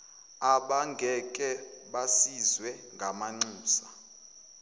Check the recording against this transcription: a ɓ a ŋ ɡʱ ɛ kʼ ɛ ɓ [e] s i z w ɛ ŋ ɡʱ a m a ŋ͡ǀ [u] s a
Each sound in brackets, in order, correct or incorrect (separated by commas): incorrect, incorrect